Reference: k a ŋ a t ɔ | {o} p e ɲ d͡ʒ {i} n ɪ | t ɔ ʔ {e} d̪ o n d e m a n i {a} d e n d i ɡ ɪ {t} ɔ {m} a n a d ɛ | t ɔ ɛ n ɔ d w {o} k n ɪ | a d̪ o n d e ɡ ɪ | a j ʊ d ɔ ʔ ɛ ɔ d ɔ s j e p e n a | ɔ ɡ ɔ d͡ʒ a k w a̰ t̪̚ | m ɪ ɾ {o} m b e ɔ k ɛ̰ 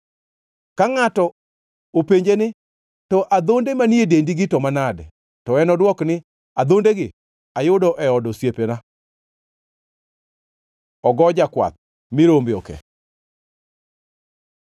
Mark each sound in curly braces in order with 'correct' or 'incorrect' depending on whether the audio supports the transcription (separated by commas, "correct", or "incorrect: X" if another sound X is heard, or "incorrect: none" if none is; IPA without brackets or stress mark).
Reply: correct, incorrect: e, incorrect: a, incorrect: e, correct, correct, incorrect: ɔ, correct